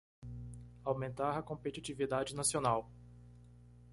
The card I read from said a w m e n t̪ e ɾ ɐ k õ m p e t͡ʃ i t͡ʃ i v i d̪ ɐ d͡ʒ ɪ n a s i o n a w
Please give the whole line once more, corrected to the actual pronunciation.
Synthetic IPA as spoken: a w m ẽ n t̪ a ɾ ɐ k õ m p e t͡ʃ i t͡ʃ i v i d̪ a d͡ʒ ɪ n a s i o n a w